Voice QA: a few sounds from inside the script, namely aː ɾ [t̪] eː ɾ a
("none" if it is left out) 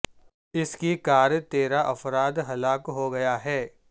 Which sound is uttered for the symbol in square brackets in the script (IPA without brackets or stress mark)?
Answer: t̪